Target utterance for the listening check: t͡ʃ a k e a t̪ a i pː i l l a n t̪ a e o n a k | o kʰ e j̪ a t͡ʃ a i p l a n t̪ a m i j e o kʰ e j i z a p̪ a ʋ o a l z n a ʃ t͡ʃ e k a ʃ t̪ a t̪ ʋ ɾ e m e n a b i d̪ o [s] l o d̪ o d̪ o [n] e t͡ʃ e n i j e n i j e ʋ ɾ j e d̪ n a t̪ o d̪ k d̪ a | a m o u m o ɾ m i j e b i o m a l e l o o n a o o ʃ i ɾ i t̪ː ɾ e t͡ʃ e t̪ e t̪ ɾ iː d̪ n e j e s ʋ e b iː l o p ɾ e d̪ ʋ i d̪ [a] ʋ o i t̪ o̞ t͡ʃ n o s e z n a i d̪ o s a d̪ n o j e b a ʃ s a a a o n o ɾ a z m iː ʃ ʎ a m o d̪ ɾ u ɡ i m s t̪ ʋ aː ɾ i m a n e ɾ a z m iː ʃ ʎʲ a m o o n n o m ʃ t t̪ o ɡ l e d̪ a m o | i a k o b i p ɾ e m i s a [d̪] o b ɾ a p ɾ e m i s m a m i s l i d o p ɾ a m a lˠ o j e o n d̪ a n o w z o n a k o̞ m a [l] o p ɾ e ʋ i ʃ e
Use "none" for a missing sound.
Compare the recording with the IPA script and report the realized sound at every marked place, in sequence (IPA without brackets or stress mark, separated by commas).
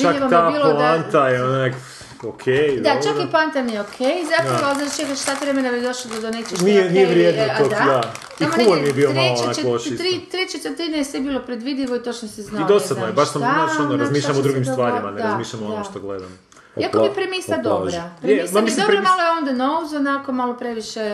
ʃ, n, i, d̪, l